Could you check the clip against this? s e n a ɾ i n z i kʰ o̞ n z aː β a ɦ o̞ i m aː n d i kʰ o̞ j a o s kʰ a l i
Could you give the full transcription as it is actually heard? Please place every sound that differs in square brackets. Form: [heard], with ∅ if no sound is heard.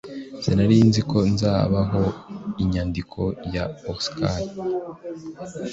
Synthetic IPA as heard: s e n a ɾ i n z i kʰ o̞ n z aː β a ɦ o̞ i [ɲ] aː n d i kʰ o̞ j a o s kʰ a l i